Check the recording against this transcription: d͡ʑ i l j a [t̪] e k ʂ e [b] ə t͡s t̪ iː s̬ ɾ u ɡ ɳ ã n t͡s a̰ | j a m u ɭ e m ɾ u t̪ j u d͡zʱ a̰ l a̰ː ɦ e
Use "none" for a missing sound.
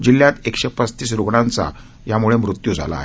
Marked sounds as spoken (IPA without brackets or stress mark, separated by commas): t̪, p